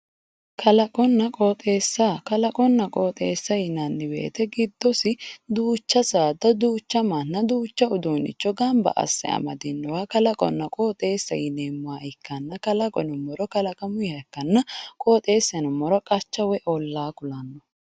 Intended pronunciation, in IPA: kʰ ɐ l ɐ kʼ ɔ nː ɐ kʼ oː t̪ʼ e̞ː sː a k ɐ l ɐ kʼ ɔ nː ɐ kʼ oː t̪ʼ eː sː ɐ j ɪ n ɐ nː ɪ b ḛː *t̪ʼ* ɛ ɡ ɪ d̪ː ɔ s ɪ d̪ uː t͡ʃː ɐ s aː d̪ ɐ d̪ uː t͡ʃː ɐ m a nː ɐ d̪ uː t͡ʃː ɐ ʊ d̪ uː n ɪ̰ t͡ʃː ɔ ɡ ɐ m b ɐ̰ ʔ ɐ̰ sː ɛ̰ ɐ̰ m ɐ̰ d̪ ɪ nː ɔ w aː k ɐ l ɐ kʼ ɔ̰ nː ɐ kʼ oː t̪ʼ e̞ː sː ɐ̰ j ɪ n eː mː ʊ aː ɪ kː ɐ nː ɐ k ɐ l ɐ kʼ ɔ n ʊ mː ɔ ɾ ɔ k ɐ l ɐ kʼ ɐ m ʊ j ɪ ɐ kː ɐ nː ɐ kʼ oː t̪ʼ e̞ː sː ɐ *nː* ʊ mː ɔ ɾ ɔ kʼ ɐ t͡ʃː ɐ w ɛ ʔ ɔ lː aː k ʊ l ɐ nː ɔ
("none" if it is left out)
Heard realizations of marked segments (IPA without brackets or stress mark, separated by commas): t̪, n